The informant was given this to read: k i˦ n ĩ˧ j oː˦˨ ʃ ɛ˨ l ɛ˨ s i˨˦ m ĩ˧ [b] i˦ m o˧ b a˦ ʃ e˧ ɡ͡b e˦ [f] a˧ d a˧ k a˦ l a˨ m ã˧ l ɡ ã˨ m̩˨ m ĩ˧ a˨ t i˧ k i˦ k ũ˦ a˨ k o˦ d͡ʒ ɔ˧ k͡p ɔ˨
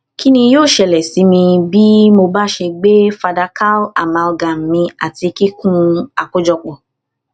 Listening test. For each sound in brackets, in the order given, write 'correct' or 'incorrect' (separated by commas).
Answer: correct, correct